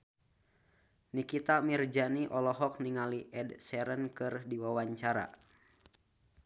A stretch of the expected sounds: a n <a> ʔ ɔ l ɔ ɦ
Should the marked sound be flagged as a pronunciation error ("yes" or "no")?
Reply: yes